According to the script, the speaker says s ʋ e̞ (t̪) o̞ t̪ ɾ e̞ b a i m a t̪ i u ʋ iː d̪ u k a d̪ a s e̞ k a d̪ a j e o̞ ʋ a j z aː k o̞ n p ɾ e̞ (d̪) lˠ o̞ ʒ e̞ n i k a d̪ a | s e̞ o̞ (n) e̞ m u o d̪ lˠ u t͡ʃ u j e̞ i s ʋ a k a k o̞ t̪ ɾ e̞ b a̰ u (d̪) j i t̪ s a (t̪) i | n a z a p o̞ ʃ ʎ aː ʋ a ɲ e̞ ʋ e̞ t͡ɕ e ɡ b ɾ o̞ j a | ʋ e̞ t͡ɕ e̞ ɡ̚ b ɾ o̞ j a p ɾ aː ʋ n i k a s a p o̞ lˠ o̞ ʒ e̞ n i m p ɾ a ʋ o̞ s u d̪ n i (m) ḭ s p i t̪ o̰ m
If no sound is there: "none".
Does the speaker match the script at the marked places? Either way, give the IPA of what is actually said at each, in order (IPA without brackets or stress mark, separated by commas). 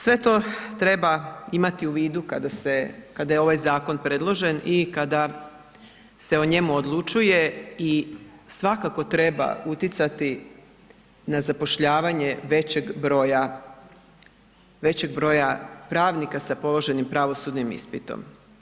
t̪, d̪, ɲ, t̪, t̪, m